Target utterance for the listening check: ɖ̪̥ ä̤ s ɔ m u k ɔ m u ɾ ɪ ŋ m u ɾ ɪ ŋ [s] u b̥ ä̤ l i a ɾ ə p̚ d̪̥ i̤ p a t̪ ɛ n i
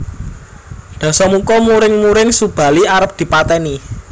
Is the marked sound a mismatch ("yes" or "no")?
no